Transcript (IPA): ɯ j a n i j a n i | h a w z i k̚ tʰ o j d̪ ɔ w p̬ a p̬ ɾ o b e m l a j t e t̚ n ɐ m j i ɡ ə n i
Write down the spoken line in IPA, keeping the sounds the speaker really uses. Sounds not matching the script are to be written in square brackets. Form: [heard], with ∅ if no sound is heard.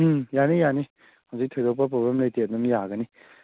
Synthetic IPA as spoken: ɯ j a n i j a n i | h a w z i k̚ tʰ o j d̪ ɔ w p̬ a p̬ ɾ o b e m l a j t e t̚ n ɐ m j [a] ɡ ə n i